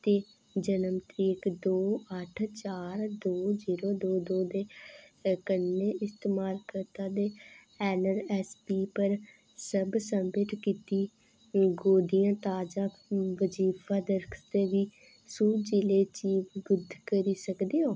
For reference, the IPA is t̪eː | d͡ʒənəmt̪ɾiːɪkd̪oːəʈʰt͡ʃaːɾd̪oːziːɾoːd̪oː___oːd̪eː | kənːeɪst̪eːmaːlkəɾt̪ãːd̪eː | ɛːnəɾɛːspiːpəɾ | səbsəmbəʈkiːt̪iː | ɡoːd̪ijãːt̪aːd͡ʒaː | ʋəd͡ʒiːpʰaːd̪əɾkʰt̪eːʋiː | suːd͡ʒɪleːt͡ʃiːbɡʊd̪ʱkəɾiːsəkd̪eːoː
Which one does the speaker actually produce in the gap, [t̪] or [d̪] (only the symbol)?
d̪